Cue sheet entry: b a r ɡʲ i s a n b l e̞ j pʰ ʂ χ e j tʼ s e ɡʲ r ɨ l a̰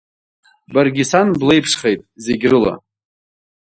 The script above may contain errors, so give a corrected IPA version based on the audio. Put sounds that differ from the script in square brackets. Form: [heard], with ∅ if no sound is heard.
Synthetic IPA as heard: b a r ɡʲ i s a n b l e̞ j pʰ ʂ χ e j tʼ [z] e ɡʲ r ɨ l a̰